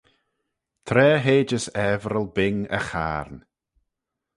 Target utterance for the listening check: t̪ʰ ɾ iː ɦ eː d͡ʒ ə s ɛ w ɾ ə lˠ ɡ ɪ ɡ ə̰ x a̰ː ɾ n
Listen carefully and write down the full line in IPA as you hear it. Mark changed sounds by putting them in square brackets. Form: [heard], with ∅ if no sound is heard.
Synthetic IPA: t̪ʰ ɾ [ɛː] ɦ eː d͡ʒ ə s ɛ [v] ɾ ə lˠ [b] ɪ [ŋ] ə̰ x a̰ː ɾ n